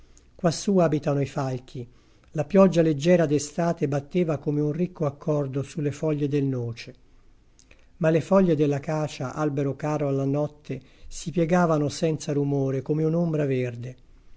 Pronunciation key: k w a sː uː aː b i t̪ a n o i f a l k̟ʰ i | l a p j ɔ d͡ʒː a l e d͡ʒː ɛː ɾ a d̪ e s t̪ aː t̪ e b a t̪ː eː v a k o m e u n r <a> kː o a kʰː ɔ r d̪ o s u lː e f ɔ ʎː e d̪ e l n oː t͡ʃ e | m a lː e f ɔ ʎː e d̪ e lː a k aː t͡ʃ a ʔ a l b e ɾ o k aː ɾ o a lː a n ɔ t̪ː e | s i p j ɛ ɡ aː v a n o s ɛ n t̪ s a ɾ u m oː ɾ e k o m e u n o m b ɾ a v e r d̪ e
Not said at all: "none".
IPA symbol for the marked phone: i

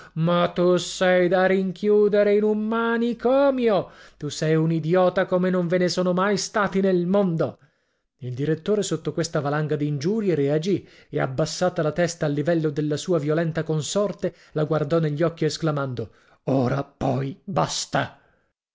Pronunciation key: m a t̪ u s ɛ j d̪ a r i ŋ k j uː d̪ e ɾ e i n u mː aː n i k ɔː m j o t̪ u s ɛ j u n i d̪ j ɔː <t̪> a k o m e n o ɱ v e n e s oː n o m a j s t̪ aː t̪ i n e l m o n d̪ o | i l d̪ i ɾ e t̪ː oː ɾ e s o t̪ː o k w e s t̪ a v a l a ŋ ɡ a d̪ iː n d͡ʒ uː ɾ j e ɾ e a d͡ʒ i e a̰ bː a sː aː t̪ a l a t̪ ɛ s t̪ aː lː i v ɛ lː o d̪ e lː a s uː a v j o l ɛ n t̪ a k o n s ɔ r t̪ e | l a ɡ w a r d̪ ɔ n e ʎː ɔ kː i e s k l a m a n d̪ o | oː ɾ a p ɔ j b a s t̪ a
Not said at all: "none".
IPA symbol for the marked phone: t̪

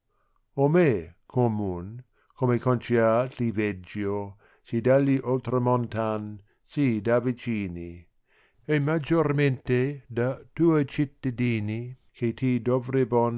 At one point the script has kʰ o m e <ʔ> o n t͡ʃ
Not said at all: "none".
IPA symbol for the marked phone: k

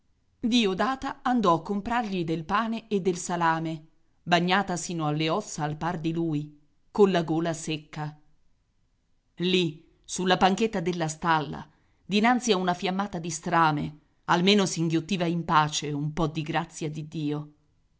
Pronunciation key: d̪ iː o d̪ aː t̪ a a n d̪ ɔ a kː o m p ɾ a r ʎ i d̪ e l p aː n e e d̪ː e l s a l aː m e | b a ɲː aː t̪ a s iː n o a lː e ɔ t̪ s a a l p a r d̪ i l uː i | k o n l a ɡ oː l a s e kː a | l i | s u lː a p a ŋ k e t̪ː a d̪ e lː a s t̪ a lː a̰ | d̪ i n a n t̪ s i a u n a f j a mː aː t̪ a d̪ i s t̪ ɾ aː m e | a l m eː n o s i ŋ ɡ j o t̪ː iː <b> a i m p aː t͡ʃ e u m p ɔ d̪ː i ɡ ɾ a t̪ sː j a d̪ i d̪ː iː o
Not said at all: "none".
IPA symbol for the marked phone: v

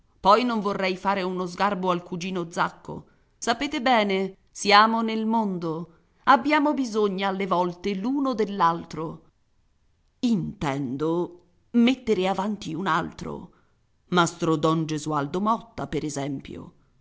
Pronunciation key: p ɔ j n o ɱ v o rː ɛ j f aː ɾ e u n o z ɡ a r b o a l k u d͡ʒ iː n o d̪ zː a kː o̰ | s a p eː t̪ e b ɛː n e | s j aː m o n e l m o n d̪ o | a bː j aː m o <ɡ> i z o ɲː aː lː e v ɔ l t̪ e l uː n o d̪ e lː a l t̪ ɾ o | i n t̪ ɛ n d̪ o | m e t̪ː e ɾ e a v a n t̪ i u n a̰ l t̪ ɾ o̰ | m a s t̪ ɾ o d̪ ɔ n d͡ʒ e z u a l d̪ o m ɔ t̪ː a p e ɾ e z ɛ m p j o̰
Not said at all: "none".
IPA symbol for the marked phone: b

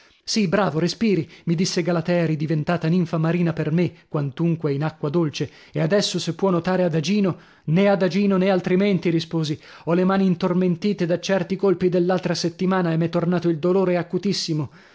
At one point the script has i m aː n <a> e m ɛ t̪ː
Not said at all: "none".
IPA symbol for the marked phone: a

